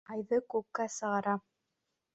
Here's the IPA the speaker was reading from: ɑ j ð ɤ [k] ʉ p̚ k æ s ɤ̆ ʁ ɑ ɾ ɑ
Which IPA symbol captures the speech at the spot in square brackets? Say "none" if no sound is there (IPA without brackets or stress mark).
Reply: k